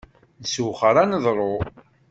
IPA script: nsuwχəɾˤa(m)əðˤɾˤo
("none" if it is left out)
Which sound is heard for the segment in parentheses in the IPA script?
n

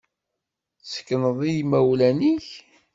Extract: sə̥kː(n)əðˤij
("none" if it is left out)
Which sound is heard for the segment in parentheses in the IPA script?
n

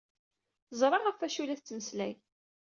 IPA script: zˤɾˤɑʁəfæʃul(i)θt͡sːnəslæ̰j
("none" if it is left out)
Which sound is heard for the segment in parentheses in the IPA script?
æ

